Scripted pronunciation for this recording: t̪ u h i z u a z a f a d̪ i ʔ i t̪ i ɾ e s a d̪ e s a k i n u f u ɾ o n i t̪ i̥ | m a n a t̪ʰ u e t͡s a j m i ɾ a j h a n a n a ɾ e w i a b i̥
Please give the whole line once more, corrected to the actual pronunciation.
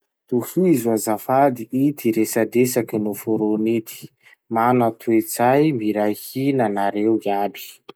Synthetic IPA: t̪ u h i z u a z a f a d̪ i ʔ i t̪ i ɾ e s a d̪ e s a k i n u f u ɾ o n i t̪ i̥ | m a n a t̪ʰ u e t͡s a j m i ɾ a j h i n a n a ɾ e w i a b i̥